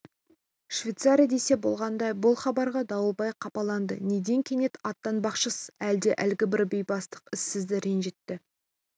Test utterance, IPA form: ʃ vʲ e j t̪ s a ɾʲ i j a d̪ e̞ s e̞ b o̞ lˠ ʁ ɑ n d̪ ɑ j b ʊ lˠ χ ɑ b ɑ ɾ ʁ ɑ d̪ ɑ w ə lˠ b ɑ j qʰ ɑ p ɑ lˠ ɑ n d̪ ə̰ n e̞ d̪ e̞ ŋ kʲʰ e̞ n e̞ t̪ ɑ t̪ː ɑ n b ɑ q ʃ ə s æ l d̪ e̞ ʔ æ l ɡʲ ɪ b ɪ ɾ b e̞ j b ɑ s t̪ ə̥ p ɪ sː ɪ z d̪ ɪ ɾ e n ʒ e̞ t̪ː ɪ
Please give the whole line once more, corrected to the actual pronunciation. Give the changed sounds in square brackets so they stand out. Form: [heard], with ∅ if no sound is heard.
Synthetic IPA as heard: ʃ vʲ e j t̪ s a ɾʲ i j a d̪ e̞ s e̞ b o̞ lˠ ʁ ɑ n d̪ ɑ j b ʊ lˠ χ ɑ b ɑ ɾ ʁ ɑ d̪ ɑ w ə lˠ b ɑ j qʰ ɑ p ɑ lˠ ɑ n d̪ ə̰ n e̞ d̪ e̞ ŋ kʲʰ e̞ n e̞ t̪ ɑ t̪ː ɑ n b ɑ q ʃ ə s æ l d̪ e̞ ʔ æ l ɡʲ ɪ b ɪ ɾ b e̞ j b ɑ s t̪ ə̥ [q] ɪ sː ɪ z d̪ ɪ ɾ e n ʒ e̞ t̪ː ɪ